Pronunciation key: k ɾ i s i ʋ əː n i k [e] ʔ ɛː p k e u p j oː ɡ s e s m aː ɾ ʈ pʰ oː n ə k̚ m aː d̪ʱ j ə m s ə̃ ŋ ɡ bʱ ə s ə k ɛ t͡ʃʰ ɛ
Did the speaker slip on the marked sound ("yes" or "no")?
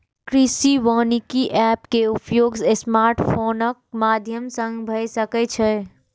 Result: yes